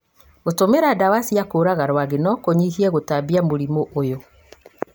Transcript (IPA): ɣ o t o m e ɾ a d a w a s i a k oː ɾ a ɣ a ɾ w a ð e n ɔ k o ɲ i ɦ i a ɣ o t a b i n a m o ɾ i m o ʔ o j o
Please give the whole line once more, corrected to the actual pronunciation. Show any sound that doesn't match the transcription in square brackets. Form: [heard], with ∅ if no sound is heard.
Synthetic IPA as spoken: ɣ o t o m e ɾ a d a w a s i a k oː ɾ a ɣ a ɾ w a [ɣ] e n ɔ k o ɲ i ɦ i [ɛ] ɣ o t a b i [∅] a m o ɾ i m o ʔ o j o